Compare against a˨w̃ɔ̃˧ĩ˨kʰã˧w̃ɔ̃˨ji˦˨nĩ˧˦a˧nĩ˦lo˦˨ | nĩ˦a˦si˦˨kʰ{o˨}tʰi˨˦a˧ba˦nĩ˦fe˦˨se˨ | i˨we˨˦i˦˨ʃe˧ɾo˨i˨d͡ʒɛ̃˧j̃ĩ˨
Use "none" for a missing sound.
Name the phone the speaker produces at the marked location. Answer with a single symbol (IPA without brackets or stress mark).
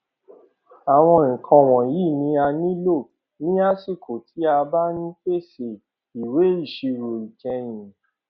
o˨